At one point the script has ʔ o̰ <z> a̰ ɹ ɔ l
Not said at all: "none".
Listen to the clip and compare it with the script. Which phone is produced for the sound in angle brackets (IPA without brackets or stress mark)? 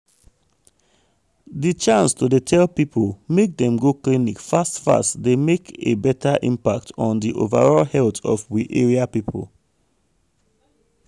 v